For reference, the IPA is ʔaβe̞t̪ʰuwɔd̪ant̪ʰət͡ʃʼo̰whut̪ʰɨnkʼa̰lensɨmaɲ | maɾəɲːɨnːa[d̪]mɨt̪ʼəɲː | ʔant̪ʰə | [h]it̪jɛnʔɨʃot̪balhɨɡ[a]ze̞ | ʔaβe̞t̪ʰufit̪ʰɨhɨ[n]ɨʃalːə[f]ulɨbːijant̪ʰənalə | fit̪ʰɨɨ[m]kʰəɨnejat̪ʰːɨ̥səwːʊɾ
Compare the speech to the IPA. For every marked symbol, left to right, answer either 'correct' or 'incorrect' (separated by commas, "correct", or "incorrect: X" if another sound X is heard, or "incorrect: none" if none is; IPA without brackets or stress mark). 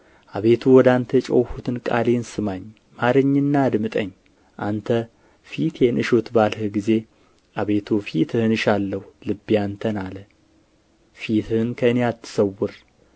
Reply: correct, incorrect: f, incorrect: i, correct, incorrect: h, incorrect: n